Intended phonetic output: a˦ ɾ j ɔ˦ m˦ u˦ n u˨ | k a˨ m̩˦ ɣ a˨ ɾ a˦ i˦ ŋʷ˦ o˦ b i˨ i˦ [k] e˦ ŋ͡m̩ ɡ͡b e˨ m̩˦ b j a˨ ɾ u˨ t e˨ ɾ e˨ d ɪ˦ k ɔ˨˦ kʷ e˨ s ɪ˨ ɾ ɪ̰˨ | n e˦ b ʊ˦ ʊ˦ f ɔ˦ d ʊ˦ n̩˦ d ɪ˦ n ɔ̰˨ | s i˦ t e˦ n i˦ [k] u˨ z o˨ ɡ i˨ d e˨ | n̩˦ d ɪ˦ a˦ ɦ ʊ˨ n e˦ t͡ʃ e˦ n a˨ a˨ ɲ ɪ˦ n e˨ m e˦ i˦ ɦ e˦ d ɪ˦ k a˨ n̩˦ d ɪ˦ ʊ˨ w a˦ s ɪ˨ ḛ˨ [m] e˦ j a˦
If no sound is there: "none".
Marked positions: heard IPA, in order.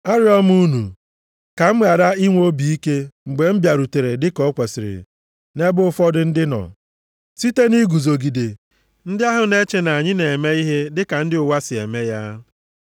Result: k, ɡ, m

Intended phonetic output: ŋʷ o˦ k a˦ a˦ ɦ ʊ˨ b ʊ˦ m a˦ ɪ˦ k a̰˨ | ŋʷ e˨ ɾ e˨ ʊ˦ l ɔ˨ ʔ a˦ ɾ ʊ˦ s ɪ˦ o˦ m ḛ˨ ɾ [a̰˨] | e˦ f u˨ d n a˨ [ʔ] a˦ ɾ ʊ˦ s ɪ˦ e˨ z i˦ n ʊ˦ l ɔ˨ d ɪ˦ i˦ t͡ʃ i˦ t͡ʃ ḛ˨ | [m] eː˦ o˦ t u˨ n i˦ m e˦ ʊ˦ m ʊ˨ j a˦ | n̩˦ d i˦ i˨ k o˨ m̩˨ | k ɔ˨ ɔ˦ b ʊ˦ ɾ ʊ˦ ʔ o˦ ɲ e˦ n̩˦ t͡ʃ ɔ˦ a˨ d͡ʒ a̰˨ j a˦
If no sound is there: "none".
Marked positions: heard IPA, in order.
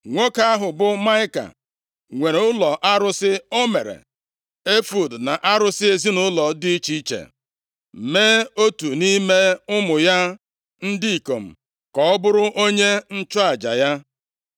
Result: ḛ˨, ʔ, m

